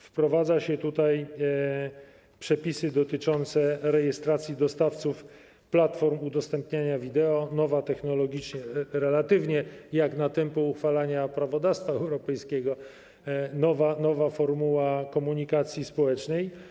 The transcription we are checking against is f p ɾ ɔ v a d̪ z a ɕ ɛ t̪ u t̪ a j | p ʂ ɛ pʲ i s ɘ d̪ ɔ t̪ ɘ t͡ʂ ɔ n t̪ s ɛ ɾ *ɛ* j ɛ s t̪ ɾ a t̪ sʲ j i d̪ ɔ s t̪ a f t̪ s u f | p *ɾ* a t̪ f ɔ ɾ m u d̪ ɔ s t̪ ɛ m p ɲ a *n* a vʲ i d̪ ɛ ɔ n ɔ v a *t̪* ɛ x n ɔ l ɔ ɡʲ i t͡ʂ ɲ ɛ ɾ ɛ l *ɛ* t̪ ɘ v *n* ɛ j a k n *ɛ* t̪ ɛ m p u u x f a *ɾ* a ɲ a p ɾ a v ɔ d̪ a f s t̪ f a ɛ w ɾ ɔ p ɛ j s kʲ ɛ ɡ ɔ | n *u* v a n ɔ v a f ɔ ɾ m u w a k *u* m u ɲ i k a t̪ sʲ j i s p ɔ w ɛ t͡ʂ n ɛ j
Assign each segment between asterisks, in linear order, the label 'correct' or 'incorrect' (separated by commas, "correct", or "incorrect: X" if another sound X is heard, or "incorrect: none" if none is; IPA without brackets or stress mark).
correct, incorrect: l, incorrect: ɲ, correct, incorrect: a, incorrect: ɲ, incorrect: a, incorrect: l, incorrect: ɔ, incorrect: ɔ